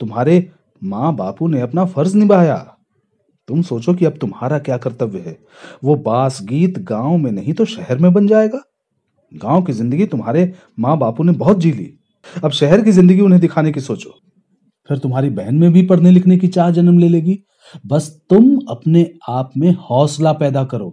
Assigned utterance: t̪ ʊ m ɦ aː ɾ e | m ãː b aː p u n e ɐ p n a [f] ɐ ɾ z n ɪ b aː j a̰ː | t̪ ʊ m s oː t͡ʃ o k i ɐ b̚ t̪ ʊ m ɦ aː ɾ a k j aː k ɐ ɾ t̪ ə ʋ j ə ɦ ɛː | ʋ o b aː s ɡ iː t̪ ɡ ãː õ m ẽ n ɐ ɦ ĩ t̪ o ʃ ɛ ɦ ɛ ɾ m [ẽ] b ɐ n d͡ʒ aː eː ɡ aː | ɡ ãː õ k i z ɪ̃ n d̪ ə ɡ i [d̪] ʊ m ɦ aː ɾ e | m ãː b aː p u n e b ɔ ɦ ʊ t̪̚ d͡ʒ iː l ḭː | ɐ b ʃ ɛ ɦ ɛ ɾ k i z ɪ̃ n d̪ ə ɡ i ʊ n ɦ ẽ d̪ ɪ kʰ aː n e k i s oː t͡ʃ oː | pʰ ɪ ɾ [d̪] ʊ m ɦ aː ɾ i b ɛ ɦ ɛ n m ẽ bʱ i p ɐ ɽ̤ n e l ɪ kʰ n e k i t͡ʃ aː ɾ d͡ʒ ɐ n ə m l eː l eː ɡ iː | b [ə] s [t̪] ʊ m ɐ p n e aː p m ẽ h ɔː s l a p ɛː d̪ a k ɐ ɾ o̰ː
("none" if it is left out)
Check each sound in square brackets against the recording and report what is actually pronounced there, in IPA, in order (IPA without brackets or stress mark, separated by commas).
f, ẽ, t̪, t̪, ɐ, t̪